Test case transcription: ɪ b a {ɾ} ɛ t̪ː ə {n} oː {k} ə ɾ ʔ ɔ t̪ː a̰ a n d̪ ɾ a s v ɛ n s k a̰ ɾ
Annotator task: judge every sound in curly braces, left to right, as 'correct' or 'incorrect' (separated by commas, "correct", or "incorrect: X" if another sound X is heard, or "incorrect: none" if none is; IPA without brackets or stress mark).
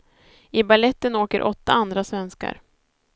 incorrect: l, correct, correct